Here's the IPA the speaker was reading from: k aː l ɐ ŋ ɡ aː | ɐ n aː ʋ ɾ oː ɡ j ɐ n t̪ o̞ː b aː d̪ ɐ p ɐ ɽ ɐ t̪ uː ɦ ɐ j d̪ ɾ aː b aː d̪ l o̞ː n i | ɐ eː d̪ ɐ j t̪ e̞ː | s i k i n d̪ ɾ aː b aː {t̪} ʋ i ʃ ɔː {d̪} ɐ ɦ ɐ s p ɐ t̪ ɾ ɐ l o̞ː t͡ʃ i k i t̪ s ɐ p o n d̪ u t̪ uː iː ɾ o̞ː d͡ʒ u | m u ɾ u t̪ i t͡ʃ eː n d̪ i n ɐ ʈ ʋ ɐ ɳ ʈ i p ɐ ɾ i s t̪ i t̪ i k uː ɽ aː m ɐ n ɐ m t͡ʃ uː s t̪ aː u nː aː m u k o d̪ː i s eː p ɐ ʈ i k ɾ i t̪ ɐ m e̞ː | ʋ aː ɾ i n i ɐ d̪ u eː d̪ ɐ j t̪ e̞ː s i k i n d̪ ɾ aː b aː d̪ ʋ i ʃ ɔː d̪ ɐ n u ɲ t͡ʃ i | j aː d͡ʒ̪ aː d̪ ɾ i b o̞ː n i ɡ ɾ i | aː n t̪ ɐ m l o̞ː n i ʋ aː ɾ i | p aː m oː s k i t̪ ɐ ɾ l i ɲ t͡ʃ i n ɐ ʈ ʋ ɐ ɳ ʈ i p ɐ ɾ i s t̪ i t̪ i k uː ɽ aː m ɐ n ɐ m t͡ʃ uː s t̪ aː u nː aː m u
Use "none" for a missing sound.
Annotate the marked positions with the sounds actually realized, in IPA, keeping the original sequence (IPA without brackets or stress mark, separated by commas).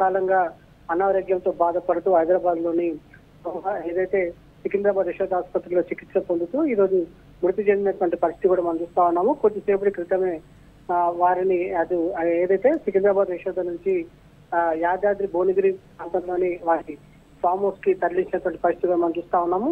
d̪, d̪